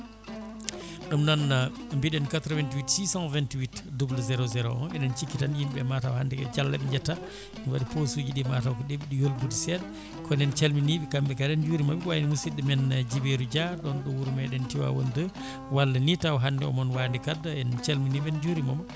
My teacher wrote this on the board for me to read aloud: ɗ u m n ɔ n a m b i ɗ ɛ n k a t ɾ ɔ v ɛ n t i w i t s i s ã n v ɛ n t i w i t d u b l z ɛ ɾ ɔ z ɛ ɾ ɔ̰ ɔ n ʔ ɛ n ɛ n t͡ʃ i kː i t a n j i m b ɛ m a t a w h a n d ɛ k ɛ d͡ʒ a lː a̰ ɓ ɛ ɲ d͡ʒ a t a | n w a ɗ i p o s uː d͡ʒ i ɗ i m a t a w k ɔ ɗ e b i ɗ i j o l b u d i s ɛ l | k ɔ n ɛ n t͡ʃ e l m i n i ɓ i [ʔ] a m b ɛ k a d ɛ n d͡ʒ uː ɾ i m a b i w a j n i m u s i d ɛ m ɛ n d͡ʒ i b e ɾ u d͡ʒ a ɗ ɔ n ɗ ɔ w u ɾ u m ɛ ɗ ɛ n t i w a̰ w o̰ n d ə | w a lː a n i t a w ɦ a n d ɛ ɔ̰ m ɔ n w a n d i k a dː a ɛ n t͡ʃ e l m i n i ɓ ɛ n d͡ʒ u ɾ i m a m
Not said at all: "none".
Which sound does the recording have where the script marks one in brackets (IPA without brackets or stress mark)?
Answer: k